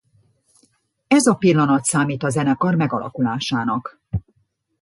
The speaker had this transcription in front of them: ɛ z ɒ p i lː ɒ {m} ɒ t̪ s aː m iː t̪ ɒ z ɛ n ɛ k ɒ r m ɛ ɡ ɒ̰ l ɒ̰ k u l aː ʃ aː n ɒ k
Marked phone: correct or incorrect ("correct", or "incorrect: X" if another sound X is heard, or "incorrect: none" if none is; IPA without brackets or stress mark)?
incorrect: n